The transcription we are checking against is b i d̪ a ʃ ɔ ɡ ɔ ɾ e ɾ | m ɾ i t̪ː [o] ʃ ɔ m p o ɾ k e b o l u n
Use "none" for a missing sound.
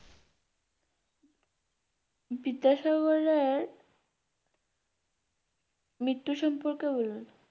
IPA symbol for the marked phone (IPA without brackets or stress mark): u